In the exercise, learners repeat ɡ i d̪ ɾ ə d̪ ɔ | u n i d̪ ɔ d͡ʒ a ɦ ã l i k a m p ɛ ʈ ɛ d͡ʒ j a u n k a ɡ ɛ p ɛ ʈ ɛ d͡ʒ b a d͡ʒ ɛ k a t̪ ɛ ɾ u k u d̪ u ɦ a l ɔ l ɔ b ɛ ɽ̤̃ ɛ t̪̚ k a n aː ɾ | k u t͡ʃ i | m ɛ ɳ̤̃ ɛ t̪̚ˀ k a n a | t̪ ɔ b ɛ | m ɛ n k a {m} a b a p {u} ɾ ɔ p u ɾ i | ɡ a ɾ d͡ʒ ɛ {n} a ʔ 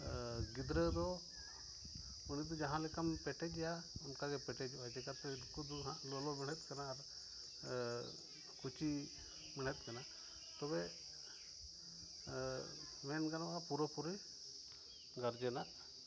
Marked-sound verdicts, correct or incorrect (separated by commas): incorrect, correct, correct